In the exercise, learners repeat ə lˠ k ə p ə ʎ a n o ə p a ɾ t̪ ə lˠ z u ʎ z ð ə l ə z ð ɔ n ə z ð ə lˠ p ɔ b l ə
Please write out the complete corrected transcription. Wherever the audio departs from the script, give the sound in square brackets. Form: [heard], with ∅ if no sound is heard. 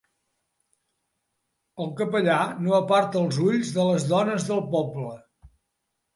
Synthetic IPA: ə lˠ k ə p ə ʎ a n o ə p a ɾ t̪ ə lˠ z u ʎ z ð ə l ə z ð ɔ n ə z ð ə lˠ p ɔ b l ə